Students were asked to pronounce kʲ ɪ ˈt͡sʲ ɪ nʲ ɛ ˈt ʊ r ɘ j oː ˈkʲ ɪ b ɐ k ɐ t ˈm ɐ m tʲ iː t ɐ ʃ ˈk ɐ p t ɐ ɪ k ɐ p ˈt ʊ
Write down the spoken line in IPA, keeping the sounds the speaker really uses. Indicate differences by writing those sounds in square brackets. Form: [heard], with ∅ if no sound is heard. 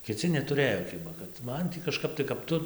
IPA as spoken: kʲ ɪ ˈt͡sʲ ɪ nʲ ɛ ˈt ʊ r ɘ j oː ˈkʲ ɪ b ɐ k ɐ t ˈm ɐ [n] tʲ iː [k] ɐ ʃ ˈk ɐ p t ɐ ɪ k ɐ p ˈt ʊ